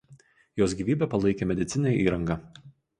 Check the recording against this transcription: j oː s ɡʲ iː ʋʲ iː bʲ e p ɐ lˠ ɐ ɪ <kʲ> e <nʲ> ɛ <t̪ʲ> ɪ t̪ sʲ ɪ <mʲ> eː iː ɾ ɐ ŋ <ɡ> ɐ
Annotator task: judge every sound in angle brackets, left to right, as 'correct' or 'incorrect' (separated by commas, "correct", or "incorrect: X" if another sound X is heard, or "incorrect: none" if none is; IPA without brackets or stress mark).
correct, incorrect: mʲ, incorrect: d̪ʲ, incorrect: nʲ, correct